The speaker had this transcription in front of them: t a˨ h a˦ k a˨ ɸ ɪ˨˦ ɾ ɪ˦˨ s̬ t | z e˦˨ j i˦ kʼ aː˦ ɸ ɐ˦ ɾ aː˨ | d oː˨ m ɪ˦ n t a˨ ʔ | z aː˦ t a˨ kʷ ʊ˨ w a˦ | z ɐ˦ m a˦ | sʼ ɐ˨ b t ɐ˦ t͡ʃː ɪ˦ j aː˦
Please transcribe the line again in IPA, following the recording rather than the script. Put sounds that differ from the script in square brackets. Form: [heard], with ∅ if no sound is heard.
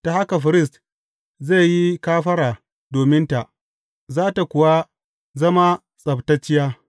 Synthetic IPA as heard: t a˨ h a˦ k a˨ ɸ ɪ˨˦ ɾ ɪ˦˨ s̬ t | z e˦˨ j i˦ [k] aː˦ ɸ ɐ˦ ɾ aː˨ | d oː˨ m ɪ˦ n t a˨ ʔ | z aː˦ t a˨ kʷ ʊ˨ w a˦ | z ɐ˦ m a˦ | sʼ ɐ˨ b t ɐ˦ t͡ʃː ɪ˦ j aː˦

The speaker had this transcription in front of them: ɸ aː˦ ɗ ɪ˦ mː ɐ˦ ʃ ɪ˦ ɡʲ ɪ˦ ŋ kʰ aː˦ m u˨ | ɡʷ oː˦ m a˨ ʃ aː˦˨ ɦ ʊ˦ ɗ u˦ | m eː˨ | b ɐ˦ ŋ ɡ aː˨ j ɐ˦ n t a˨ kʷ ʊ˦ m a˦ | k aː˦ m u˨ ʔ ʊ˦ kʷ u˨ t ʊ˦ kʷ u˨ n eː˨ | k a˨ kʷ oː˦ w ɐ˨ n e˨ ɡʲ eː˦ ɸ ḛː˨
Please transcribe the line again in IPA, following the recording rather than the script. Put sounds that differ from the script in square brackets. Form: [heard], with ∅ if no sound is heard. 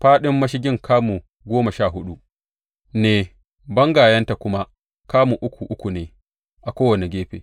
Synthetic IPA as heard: ɸ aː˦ ɗ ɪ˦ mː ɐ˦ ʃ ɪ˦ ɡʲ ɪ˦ ŋ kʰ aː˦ m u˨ | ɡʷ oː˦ m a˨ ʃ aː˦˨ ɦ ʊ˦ ɗ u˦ | [n] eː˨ | b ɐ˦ ŋ ɡ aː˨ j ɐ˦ n t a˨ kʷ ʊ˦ m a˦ | k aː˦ m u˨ ʔ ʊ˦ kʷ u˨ [ʔ] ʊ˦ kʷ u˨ n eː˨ | [ʔ] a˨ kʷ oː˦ w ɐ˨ n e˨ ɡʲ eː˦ ɸ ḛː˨

